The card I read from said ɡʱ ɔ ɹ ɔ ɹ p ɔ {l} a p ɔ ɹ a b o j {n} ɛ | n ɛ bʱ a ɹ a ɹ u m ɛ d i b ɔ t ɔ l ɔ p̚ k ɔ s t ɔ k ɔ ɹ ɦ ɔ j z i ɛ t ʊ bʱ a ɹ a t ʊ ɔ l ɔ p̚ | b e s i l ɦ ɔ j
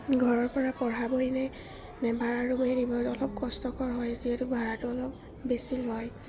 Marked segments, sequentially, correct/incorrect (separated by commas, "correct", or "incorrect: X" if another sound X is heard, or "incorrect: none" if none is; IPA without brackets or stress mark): incorrect: ɹ, correct